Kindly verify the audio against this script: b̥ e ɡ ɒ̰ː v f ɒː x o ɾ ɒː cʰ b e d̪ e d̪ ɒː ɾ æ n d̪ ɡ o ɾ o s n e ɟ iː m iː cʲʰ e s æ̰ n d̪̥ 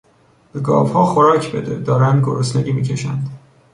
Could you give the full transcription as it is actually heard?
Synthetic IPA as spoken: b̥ e ɡ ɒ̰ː v h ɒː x o ɾ ɒː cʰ b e d̪ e d̪ ɒː ɾ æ n d̪ ɡ o ɾ o s n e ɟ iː m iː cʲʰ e ʃ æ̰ n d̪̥